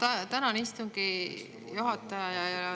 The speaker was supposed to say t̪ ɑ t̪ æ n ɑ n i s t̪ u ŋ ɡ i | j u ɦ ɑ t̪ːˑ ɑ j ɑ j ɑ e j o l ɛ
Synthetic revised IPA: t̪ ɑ t̪ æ n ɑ n i s t̪ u ŋ ɡ i | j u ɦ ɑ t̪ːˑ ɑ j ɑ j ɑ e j o l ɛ